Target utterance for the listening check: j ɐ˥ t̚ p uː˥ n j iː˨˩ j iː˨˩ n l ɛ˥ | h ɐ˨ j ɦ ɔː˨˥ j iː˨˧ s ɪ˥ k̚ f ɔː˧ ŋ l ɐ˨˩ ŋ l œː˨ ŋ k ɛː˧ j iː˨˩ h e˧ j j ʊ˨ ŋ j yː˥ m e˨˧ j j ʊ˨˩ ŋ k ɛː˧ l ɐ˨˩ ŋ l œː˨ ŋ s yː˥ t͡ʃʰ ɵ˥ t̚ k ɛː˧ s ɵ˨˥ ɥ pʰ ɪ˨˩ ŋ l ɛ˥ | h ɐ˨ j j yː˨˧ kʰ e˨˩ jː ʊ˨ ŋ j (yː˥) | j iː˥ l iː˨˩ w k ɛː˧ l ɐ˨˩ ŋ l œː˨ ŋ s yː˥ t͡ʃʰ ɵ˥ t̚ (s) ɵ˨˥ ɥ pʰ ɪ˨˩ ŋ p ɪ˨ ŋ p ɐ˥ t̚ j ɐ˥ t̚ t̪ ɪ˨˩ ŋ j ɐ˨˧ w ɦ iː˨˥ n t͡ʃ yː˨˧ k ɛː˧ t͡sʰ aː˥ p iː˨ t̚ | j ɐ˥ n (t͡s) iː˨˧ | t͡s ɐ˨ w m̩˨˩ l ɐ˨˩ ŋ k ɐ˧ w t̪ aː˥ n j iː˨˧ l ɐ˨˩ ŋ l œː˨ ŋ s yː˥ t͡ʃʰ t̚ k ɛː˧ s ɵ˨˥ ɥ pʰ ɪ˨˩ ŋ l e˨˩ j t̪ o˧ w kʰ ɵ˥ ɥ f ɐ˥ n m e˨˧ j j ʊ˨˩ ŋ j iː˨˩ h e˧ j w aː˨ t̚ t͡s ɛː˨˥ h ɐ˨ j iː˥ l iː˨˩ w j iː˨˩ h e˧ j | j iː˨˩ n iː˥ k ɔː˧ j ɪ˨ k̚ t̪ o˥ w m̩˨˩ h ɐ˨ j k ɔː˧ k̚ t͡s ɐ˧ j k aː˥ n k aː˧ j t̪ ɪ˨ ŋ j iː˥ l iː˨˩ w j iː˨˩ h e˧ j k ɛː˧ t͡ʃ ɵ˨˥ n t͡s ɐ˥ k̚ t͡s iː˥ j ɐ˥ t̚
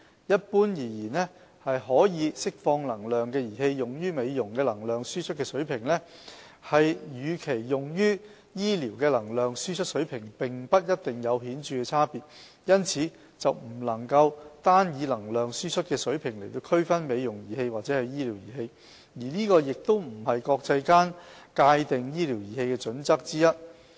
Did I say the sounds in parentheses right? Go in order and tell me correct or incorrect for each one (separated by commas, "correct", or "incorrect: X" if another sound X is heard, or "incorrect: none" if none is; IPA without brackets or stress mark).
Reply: correct, correct, incorrect: t͡sʰ